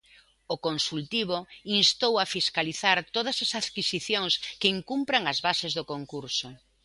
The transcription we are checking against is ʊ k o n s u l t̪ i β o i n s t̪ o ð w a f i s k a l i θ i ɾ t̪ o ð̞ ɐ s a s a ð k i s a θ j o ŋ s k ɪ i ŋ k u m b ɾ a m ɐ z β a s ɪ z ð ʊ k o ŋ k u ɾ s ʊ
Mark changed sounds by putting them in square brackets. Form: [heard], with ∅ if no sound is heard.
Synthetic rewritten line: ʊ k o n s u l t̪ i β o i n s t̪ o [∅] w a f i s k a l i θ [a] ɾ t̪ o ð̞ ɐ s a s a ð k i s [i] θ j o ŋ s k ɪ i ŋ k u m [p] ɾ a [ŋ] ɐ z β a s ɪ z ð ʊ k o ŋ k u ɾ s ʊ